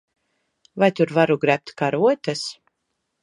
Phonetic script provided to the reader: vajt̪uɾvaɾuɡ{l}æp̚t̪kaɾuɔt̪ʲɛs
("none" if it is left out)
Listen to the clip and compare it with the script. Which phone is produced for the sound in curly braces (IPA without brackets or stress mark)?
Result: ɾ